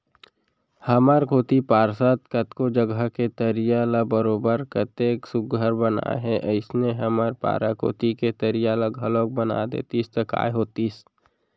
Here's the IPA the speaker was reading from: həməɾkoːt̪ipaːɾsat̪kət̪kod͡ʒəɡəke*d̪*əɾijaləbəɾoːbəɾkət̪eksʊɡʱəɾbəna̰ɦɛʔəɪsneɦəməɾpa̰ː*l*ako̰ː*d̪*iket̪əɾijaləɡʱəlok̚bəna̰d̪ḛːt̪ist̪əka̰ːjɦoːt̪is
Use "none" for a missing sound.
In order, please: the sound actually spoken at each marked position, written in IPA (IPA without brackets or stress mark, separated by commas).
t̪, ɾ, t̪